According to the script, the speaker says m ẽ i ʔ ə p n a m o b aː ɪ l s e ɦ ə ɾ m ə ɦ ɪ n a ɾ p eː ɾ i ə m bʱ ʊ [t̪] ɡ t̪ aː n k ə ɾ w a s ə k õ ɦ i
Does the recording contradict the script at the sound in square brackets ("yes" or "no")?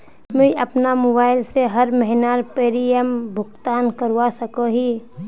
yes